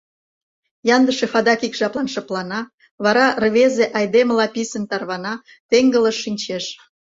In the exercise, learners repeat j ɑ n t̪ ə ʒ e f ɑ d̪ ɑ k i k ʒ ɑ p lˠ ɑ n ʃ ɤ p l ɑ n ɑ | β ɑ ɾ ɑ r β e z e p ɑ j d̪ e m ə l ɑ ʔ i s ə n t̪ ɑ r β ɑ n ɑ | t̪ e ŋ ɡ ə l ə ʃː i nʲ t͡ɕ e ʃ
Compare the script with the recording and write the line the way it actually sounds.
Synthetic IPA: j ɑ n d̪ ə ʃ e f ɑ d̪ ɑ k i k ʒ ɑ p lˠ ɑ n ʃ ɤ p l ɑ n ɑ | β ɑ ɾ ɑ r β e z e ʔ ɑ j d̪ e m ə l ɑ p i s ə n t̪ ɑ r β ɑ n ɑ | t̪ e ŋ ɡ ə l ə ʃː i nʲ t͡ɕ e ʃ